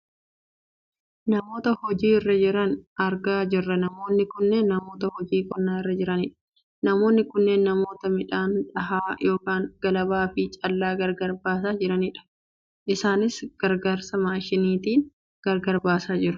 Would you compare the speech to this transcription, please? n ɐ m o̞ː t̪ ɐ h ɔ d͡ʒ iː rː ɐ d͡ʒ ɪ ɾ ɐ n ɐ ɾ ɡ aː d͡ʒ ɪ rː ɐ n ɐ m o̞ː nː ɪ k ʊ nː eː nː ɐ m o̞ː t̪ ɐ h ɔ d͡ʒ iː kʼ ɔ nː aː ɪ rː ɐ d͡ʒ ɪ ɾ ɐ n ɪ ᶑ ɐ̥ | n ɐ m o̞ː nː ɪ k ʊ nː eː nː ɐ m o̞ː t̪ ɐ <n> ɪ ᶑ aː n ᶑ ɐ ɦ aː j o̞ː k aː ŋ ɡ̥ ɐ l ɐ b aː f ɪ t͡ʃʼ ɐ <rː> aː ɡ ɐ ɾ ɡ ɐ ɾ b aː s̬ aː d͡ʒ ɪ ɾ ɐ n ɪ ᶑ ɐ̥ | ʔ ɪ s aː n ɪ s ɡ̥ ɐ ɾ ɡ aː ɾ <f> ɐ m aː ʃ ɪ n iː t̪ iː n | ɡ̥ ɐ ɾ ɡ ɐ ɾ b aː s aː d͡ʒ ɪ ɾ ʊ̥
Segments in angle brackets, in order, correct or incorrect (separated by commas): incorrect, incorrect, incorrect